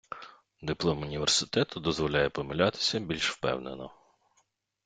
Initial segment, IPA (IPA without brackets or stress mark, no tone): d̪